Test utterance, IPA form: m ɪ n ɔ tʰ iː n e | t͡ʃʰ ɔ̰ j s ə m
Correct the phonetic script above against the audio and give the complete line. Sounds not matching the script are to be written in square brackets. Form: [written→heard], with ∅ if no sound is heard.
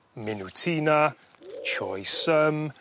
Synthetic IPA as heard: m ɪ n [ɔ→u] tʰ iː n [e→a] | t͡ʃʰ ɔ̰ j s ə m